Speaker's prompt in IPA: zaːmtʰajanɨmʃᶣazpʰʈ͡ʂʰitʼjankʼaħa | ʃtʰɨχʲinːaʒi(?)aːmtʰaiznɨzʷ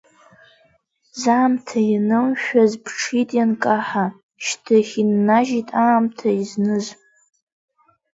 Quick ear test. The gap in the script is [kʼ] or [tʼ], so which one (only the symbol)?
tʼ